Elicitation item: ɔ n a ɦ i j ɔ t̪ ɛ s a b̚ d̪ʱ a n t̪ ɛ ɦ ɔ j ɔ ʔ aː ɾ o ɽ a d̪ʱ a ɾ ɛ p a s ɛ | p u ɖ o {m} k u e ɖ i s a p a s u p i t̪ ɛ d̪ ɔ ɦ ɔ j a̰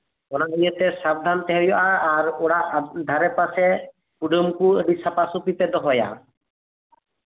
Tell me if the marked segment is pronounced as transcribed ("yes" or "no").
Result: yes